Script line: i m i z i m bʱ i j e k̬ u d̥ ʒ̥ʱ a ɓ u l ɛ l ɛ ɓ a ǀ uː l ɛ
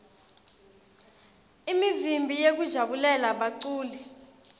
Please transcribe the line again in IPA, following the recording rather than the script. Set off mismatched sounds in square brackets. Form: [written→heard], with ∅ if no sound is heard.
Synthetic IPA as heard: i m i z i m bʱ i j e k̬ u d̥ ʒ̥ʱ a ɓ u l ɛ l [ɛ→a] ɓ a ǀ uː l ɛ